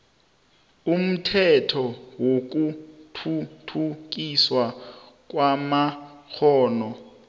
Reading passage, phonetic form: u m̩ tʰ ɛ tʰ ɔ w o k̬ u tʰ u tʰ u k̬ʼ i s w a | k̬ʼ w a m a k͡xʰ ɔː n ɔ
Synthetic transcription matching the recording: u m̩ tʰ ɛ tʰ ɔ w o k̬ u tʰ u tʰ u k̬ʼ i s w a | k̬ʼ w a m a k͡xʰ ɔː n ɔ